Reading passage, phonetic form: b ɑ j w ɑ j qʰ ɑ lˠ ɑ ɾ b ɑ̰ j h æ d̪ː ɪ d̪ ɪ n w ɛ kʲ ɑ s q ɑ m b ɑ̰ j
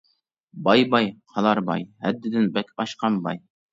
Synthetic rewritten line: b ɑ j b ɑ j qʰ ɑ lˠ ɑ ɾ b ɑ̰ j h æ d̪ː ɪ d̪ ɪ n b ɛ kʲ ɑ ʃ q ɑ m b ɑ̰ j